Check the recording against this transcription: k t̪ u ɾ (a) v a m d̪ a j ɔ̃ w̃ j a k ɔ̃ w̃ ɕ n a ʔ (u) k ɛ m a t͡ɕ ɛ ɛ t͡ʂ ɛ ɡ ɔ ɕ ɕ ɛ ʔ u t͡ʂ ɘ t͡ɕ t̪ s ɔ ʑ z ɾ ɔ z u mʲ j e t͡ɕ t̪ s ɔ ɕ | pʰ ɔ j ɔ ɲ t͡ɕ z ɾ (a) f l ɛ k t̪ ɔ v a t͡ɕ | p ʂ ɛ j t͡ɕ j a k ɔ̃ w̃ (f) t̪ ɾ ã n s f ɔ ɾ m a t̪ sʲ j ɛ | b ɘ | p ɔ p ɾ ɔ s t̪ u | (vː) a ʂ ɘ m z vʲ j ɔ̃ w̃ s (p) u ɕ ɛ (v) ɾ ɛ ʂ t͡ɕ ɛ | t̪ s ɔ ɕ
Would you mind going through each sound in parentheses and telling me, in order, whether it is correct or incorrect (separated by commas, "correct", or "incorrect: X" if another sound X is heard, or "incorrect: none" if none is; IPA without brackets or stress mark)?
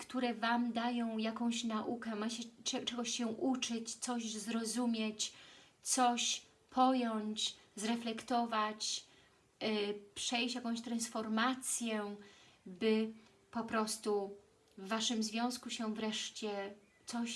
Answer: incorrect: ɛ, correct, incorrect: ɛ, incorrect: ɕ, correct, incorrect: k, correct